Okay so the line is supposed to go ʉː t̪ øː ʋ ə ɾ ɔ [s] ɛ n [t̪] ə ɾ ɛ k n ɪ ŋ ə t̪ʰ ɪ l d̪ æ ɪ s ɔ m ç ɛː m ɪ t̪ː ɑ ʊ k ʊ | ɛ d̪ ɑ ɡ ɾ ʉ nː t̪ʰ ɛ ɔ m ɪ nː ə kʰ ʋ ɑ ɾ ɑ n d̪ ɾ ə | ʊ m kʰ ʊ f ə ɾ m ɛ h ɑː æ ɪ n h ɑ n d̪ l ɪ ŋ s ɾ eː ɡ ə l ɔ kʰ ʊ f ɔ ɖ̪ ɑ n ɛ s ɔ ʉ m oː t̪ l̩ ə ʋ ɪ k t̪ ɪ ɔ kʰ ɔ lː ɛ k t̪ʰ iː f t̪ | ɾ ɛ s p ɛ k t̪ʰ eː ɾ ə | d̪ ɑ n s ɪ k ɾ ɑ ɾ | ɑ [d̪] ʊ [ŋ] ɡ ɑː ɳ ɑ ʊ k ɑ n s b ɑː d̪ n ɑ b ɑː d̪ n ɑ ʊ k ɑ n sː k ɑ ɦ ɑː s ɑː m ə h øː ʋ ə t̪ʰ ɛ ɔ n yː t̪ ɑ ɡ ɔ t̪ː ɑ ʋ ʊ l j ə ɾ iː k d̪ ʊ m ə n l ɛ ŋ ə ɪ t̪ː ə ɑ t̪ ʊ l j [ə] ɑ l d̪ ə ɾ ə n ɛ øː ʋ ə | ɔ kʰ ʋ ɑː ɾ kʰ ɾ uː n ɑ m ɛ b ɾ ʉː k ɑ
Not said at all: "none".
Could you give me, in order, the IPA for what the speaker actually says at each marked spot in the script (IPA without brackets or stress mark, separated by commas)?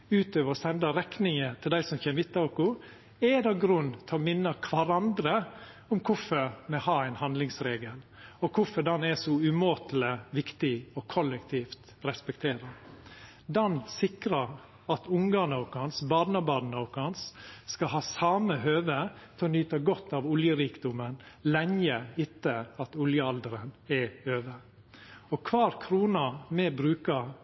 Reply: s, d̪, t̪, ŋ, ə